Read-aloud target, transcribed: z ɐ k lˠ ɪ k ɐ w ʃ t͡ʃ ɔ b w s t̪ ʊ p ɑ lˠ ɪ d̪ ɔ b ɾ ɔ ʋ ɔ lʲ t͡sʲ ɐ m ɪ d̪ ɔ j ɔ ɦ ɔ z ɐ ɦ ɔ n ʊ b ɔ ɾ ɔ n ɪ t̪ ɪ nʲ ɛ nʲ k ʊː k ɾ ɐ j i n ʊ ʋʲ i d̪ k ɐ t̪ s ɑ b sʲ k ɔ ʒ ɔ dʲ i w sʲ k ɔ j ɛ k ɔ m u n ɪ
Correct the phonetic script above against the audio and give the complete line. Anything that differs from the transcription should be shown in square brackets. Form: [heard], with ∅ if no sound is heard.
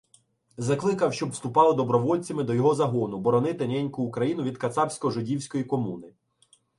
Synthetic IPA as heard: z ɐ k lˠ ɪ k ɐ w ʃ t͡ʃ ɔ b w s t̪ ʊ p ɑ lˠ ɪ d̪ ɔ b ɾ ɔ ʋ ɔ lʲ t͡sʲ ɐ m ɪ d̪ ɔ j ɔ ɦ ɔ z ɐ ɦ ɔ n ʊ b ɔ ɾ ɔ n ɪ t̪ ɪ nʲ ɛ nʲ k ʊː k ɾ ɐ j i n ʊ ʋʲ i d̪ k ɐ t̪ s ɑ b sʲ k ɔ ʒ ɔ dʲ i w sʲ k ɔ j [i] k ɔ m u n ɪ